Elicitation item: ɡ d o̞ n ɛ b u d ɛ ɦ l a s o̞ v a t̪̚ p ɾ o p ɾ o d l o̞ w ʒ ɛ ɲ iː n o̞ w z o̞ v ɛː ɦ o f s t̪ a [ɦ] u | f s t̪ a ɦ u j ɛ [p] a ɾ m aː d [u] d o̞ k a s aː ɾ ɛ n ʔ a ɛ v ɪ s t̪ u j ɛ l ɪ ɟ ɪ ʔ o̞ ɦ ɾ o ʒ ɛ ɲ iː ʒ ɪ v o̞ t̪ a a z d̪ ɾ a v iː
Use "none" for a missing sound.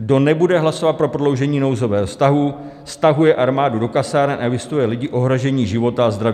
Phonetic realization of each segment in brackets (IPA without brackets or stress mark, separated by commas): ɦ, ʔ, u